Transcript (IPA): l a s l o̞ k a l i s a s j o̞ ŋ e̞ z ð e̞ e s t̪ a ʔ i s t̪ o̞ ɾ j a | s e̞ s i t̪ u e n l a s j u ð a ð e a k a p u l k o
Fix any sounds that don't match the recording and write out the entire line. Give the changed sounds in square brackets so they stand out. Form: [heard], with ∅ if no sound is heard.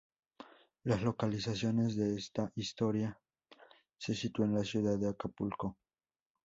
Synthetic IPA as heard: l a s l o̞ k a l i s a s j o̞ [n] e̞ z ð e̞ e s t̪ a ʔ i s t̪ o̞ ɾ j a | s e̞ s i t̪ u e n l a s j u ð a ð e a k a p u l k o